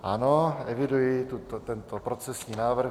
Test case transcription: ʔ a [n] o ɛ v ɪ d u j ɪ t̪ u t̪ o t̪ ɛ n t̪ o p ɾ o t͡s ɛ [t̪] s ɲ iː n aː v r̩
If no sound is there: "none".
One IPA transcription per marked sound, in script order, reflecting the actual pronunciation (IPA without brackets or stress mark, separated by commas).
n, none